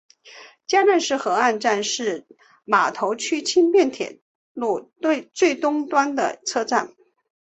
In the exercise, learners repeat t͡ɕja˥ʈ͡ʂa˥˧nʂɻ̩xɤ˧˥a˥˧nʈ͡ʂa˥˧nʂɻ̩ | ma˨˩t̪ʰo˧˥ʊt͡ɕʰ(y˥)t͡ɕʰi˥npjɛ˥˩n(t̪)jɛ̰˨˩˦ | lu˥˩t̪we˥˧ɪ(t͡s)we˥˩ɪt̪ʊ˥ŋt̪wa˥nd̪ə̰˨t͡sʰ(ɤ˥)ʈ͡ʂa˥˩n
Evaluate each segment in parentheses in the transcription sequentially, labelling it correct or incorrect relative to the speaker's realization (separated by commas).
correct, incorrect, correct, correct